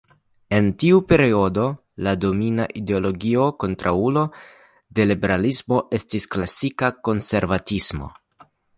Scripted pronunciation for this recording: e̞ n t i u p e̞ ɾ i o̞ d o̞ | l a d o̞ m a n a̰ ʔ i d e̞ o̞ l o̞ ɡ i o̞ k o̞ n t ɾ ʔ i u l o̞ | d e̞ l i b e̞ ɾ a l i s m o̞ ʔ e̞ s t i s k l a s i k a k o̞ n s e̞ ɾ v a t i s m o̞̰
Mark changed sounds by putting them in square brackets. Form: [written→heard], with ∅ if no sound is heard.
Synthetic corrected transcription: e̞ n t i u p e̞ ɾ i o̞ d o̞ | l a d o̞ m [a→i] n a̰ ʔ i d e̞ o̞ l o̞ ɡ i o̞ k o̞ n t ɾ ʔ [i→a] u l o̞ | d e̞ l i b e̞ ɾ a l i s m o̞ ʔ e̞ s t i s k l a s i k a k o̞ n s e̞ ɾ v a t i s m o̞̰

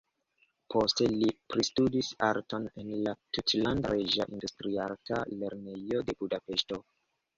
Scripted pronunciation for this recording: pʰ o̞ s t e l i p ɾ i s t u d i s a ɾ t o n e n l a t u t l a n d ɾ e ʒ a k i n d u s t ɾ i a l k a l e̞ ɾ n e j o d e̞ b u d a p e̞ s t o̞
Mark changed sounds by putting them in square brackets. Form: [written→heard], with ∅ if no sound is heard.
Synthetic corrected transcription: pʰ o̞ s t e l i p ɾ i s t u d i s a ɾ t o n e n l a t u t l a n d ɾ e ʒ a [k→ʔ] i n d u s t ɾ i a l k a l e̞ ɾ n e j o d e̞ b u d a p e̞ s t o̞

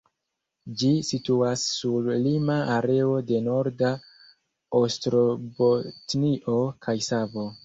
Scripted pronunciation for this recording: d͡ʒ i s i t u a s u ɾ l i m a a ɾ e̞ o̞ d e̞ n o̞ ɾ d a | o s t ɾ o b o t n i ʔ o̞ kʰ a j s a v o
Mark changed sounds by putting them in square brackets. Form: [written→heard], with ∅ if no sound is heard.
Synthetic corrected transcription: d͡ʒ i s i t u a [s→sː] u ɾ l i m a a ɾ e̞ o̞ d e̞ n o̞ ɾ d a | o s t ɾ o b o t n i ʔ o̞ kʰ a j s a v o

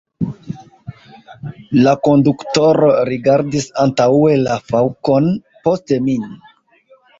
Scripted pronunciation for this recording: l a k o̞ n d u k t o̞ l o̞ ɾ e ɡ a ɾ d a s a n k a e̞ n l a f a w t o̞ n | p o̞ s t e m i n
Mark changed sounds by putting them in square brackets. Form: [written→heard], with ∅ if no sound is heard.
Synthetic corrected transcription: l a k o̞ n d u k t o̞ [l→ɾ] o̞ ɾ [e→i] ɡ a ɾ d [a→i] s a n [k→t] a e̞ [n→∅] l a f a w [t→k] o̞ n | p o̞ s t e m i n

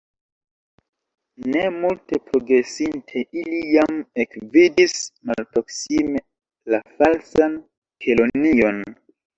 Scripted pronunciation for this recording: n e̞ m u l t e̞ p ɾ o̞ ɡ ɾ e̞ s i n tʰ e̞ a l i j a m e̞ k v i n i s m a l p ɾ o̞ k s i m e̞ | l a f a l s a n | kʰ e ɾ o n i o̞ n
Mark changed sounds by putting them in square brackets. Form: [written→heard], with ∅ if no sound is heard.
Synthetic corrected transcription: n e̞ m u l t e̞ p ɾ o̞ ɡ ɾ e̞ s i n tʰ e̞ [a→i] l i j a m e̞ k v i [n→d] i s m a l p ɾ o̞ k s i m e̞ | l a f a l s a n | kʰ e [ɾ→l] o n i o̞ n

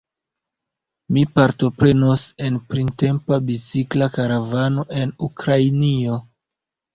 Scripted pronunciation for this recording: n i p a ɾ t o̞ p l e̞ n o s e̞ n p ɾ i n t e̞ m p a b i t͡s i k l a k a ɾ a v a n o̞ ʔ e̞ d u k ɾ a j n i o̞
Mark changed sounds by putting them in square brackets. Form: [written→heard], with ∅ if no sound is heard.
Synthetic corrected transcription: [n→m] i p a ɾ t o̞ p [l→ɾ] e̞ n o s e̞ n p ɾ i n t e̞ m p a b i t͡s i k l a k a ɾ a v a n o̞ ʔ e̞ [d→n] u k ɾ a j n i o̞

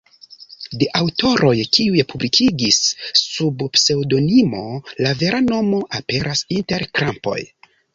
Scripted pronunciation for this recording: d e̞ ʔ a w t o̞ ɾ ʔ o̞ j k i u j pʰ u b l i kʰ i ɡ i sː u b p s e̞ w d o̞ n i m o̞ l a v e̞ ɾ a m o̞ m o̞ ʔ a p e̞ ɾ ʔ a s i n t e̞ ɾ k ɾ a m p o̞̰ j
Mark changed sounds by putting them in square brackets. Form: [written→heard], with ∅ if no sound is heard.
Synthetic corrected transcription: d e̞ ʔ a w t o̞ ɾ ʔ o̞ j k i u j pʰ u b l i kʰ i ɡ i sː u b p s e̞ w d o̞ n i m o̞ l a v e̞ ɾ a [m→n] o̞ m o̞ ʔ a p e̞ ɾ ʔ a s i n t e̞ ɾ k ɾ a m p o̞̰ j

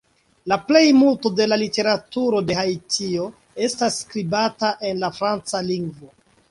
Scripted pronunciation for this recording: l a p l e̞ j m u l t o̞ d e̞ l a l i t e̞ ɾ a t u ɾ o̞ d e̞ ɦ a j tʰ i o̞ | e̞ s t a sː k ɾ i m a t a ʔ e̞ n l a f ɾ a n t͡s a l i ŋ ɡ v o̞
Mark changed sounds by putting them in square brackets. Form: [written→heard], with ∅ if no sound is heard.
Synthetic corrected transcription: l a p l e̞ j m u l t o̞ d e̞ l a l i t e̞ ɾ a t u ɾ o̞ d e̞ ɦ a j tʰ i o̞ | e̞ s t a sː k ɾ i [m→b] a t a ʔ e̞ n l a f ɾ a n t͡s a l i ŋ ɡ v o̞

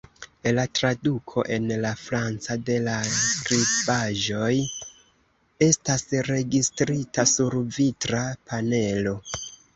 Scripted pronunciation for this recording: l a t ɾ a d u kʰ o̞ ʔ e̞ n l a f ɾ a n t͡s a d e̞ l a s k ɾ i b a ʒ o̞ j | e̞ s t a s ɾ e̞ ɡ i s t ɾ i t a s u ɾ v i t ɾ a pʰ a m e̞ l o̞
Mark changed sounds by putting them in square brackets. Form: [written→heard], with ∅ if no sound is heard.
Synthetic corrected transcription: l a t ɾ a d u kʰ o̞ ʔ e̞ n l a f ɾ a n t͡s a d e̞ l a s k ɾ i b a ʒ o̞ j | e̞ s t a s ɾ e̞ ɡ i s t ɾ i t a s u ɾ v i t ɾ a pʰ a [m→n] e̞ l o̞

